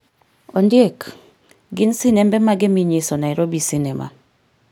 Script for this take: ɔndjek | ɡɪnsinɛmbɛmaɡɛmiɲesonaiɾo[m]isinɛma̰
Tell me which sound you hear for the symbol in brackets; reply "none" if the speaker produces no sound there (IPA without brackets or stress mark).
b